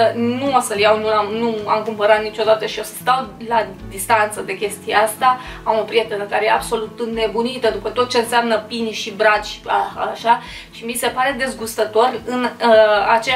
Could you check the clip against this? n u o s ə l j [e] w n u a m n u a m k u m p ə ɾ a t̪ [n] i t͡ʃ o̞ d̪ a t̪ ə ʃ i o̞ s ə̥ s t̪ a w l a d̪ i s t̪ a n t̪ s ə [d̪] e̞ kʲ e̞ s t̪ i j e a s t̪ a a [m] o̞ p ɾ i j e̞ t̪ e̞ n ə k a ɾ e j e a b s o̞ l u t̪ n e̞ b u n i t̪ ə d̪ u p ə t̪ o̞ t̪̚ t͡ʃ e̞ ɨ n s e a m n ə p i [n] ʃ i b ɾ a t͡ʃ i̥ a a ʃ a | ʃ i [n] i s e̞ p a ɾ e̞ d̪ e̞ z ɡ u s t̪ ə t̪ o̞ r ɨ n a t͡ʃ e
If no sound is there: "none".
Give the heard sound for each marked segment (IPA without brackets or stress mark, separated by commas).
a, n, d̪, m, n, m